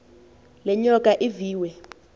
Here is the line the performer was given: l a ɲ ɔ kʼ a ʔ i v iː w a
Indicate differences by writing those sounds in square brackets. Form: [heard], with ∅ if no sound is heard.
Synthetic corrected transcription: l [ɛ] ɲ ɔ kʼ a ʔ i v iː w [ɛ]